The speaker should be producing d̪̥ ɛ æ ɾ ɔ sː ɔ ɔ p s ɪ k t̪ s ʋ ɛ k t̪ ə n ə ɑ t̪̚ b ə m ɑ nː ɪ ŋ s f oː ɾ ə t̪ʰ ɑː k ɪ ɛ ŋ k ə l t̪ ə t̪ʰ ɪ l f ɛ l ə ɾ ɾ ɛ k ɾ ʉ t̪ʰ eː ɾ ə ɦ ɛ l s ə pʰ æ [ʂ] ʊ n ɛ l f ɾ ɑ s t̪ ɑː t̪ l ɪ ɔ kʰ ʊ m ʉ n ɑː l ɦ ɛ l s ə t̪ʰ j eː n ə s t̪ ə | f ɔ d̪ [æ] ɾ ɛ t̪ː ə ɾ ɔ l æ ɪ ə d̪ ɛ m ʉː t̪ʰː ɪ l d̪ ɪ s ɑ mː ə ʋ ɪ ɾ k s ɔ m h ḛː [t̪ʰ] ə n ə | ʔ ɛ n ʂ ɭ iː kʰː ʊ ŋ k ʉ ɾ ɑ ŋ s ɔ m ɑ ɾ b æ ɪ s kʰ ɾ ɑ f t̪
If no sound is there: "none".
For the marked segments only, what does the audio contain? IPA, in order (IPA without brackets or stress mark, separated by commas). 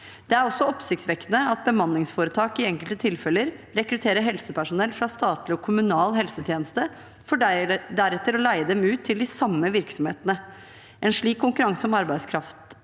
ʂ, æ, t̪